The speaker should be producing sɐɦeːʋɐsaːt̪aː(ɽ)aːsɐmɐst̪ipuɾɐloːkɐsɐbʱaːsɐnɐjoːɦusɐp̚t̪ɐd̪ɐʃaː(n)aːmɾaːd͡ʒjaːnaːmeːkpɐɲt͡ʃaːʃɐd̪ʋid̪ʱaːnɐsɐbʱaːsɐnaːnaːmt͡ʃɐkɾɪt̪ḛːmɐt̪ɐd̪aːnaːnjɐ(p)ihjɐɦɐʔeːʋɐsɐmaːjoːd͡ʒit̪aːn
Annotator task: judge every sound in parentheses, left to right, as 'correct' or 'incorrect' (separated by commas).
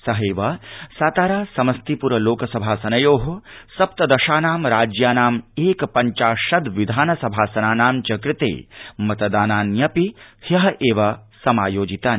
incorrect, correct, correct